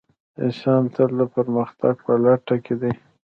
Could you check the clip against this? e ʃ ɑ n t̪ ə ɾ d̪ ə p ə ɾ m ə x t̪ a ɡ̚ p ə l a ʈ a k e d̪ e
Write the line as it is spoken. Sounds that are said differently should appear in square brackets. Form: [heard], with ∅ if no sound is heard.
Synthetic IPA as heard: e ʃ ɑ n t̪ ə [l] d̪ ə p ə ɾ m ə x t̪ a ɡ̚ p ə l a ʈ a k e d̪ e